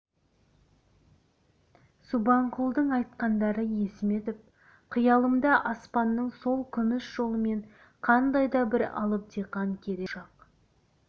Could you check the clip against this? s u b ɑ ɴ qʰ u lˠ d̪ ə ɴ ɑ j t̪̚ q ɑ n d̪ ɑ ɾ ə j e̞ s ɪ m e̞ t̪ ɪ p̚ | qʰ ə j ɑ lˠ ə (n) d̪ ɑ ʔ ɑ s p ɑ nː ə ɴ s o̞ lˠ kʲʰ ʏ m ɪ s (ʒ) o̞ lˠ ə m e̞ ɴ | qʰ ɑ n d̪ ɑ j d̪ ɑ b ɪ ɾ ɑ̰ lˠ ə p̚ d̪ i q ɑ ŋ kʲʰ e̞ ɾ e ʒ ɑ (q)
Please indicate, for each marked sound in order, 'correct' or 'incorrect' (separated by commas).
incorrect, correct, correct